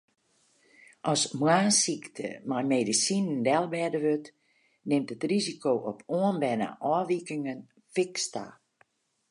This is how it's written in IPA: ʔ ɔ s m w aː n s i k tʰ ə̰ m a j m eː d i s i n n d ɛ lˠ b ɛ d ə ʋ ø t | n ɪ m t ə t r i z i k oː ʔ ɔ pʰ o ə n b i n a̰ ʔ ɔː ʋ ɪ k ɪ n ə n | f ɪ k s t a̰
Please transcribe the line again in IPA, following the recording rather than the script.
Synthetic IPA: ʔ ɔ s m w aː n s i k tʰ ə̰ m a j m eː d i s i n n d ɛ lˠ b ɛ d ə ʋ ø t | n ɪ m t ə t r i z i k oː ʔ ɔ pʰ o ə n b ɛ n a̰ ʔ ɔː ʋ i k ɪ ŋ ə n | f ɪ k s t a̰